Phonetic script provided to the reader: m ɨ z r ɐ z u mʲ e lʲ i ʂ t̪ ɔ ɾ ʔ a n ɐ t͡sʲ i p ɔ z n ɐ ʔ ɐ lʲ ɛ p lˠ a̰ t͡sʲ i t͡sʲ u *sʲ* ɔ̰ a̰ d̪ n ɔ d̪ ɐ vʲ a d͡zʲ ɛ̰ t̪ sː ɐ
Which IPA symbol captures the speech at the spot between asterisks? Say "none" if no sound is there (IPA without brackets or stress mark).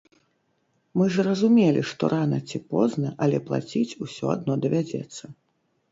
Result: sʲ